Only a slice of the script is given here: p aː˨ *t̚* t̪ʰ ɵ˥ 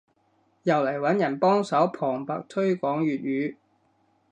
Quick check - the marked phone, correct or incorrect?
incorrect